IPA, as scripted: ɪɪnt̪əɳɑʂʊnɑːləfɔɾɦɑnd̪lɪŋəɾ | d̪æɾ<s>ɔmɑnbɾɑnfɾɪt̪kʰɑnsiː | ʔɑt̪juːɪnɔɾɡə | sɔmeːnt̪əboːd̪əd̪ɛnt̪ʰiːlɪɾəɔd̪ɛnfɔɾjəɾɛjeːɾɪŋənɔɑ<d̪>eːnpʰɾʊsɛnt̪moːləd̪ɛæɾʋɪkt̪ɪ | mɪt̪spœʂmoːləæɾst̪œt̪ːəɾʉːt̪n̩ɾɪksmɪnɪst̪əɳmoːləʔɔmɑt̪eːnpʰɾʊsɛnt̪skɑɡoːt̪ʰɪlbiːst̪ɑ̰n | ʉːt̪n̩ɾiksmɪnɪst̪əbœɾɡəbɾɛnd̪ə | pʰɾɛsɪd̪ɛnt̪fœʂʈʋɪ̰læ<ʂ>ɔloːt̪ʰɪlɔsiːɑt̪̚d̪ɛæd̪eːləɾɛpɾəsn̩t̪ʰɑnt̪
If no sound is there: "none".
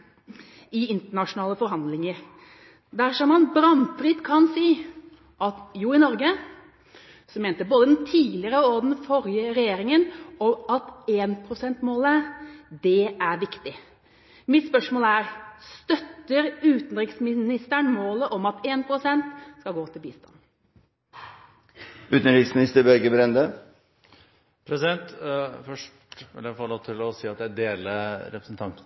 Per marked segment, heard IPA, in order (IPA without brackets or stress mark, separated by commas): ʂ, t̪, f